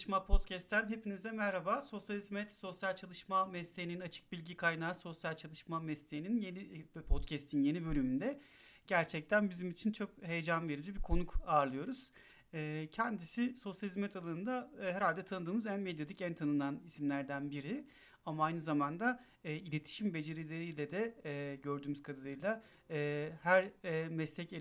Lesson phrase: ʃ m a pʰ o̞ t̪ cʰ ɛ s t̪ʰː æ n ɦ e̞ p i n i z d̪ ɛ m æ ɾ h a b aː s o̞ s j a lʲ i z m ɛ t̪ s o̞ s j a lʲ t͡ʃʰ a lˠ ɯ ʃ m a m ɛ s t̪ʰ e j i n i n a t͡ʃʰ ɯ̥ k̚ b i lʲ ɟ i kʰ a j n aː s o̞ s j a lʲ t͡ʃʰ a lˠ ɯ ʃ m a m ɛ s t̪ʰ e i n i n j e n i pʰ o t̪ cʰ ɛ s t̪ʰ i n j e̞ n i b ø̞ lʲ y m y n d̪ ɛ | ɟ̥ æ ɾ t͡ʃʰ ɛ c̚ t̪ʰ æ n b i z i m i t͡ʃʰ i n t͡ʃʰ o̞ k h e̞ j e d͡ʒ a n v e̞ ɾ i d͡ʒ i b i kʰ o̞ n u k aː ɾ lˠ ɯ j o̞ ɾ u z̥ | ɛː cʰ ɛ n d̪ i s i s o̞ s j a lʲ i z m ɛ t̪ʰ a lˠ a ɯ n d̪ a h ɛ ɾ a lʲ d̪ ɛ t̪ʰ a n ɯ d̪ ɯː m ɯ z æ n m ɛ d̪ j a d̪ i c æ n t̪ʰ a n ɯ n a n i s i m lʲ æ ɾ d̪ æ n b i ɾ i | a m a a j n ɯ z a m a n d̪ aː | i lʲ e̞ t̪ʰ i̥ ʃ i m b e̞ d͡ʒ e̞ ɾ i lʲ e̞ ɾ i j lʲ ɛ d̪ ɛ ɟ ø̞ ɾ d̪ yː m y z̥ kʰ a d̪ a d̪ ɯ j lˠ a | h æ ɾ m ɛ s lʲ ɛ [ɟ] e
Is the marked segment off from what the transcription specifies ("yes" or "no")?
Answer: yes